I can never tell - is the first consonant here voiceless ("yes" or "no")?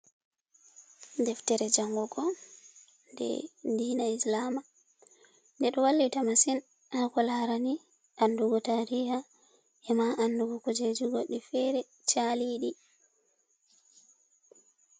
no